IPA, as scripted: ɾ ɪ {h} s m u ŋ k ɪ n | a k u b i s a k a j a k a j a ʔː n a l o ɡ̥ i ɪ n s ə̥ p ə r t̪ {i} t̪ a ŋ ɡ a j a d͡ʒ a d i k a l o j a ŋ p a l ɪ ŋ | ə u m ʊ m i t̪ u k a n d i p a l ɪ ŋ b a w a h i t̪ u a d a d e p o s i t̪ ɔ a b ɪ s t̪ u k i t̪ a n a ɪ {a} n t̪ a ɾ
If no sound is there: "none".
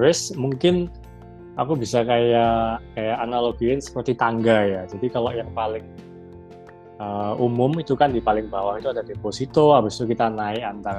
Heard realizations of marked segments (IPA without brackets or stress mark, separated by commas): none, i, a